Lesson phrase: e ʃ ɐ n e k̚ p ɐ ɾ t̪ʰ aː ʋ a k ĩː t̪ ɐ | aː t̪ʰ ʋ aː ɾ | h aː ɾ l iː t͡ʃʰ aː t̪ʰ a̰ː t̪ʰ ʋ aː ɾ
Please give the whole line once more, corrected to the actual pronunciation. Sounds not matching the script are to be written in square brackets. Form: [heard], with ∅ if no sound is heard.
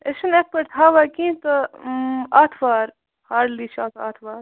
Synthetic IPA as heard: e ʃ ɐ n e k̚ p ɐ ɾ t̪ʰ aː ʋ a k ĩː t̪ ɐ | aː t̪ʰ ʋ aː ɾ | h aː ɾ l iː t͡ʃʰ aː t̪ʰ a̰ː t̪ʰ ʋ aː ɾ

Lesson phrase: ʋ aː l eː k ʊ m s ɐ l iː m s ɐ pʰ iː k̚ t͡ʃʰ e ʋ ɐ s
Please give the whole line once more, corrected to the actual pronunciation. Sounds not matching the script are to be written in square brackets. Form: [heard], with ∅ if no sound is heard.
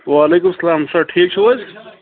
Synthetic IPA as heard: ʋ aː l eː k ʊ m s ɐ l [aː] m s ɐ [ʈʰ] iː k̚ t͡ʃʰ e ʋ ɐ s

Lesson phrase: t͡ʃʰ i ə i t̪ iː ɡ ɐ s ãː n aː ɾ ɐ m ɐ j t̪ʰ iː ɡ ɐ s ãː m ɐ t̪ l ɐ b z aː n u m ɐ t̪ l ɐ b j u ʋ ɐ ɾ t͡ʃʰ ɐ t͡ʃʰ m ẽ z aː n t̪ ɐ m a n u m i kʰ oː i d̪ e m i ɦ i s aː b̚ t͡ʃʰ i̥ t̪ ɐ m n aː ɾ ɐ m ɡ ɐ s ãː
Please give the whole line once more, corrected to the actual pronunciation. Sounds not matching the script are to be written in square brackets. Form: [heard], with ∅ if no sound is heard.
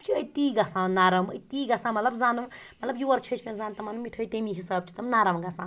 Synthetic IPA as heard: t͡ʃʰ i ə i t̪ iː ɡ ɐ s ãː n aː ɾ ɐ m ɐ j [t̪] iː ɡ ɐ s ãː m ɐ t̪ l ɐ b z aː n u m ɐ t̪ l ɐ b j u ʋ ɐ ɾ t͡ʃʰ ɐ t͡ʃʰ m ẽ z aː n t̪ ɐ m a n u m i [ʈʰ] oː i [t̪] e m i ɦ i s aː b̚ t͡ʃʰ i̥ t̪ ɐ m n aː ɾ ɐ m ɡ ɐ s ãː

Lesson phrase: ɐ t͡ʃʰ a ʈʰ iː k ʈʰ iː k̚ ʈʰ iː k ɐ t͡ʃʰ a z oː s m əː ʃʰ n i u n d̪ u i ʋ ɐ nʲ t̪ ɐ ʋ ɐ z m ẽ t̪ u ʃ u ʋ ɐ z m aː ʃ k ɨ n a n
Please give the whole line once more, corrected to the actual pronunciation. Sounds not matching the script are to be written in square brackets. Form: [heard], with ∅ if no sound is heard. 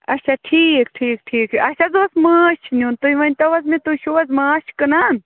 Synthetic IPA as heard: ɐ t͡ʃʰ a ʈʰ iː k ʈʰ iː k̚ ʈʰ iː k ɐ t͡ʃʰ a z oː s m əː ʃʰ n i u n [t̪] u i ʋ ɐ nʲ t̪ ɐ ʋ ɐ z m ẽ t̪ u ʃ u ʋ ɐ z m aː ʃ k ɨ n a n

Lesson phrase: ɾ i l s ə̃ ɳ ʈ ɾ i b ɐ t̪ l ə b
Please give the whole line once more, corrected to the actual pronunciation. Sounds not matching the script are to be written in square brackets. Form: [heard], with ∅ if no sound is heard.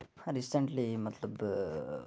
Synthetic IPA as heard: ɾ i [∅] s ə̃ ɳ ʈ [l] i [m] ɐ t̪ l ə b

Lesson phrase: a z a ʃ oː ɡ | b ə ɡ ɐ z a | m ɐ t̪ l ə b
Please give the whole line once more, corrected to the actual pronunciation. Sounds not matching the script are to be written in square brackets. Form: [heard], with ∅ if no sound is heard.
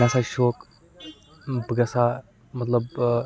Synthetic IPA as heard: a [s] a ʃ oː [k] | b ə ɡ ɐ [s] a | m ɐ t̪ l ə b

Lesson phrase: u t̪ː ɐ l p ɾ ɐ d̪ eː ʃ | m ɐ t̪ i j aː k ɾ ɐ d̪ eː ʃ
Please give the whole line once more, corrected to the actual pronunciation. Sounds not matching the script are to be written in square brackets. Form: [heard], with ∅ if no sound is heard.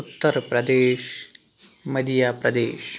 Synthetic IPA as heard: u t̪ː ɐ [ɾ] p ɾ ɐ d̪ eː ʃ | m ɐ [d̪] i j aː [p] ɾ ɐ d̪ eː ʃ

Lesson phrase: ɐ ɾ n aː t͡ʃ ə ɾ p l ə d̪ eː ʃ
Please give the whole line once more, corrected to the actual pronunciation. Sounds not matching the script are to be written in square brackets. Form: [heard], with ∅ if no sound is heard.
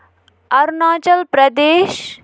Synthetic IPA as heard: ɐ ɾ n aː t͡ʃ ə [l] p [ɾ] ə d̪ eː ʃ

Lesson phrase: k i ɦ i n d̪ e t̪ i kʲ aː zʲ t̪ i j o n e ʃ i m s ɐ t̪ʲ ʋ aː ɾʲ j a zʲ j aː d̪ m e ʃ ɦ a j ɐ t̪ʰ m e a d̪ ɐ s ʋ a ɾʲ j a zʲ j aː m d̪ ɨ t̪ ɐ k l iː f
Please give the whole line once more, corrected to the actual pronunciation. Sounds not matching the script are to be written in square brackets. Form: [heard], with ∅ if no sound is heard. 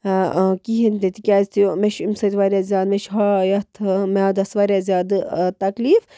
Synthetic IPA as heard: k i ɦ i n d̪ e t̪ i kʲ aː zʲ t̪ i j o [m] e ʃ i m s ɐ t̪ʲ ʋ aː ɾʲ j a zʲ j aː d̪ m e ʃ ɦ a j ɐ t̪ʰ m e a d̪ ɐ s ʋ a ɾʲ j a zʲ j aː [∅] d̪ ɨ t̪ ɐ k l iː f

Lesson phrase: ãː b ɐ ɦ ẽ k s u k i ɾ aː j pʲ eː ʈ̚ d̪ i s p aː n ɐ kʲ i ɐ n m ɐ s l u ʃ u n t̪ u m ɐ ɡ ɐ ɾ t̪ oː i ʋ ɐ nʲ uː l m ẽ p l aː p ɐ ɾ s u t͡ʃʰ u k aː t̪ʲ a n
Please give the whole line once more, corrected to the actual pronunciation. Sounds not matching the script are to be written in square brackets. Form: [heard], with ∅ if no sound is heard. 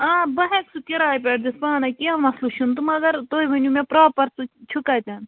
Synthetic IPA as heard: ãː b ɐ ɦ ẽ k s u k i ɾ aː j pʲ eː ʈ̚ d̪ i s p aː n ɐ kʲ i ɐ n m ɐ s l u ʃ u n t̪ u m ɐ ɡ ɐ ɾ t̪ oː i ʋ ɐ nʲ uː [∅] m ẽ p [ɾ] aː p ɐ ɾ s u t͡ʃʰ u k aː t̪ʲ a n

